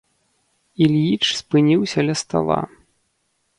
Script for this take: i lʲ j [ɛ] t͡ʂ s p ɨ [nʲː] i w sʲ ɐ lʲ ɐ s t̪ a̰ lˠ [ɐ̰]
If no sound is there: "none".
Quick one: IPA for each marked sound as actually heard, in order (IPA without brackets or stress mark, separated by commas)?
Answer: i, nʲ, a̰